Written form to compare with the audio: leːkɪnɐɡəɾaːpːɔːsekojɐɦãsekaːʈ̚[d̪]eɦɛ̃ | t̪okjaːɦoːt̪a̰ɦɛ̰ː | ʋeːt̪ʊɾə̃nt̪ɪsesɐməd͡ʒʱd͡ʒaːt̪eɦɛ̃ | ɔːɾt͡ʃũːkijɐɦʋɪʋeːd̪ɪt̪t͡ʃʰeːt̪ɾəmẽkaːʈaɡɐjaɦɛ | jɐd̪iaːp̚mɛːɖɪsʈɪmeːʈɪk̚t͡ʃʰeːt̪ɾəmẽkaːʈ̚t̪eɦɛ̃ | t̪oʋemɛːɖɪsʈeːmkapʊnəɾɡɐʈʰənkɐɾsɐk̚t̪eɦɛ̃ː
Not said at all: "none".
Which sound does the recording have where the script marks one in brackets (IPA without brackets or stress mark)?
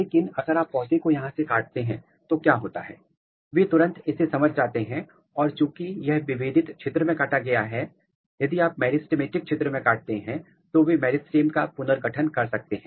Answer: t̪